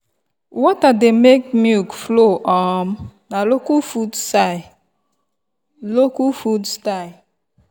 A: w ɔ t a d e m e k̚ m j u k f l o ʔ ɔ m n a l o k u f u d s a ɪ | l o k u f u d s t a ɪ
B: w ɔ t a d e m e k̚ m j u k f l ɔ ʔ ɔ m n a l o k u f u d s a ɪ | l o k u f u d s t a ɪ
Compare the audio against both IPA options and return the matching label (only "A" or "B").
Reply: A